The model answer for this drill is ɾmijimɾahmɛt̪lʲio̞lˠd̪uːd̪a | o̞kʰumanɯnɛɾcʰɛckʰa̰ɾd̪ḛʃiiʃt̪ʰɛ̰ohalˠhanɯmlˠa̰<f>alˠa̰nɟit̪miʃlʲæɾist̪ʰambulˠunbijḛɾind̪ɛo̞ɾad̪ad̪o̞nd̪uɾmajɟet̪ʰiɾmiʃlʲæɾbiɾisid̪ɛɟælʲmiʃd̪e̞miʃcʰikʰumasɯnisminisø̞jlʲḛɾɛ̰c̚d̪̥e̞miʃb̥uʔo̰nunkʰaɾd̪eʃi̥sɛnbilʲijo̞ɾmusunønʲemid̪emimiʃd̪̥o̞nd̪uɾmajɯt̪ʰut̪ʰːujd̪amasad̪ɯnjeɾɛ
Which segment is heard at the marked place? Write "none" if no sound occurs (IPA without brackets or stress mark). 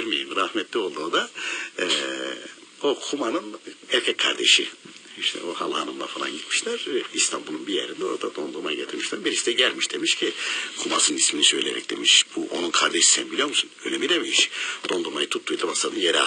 f